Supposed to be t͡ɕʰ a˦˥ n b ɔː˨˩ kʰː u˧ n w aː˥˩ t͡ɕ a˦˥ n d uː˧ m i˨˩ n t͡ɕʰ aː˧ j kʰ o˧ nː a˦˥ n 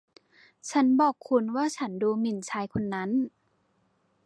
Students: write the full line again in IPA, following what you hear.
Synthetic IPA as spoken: t͡ɕʰ a˦˥ n b ɔː˨˩ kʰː u˧ n w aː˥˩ t͡ɕʰ a˦˥ n d uː˧ m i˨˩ n t͡ɕʰ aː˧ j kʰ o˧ nː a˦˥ n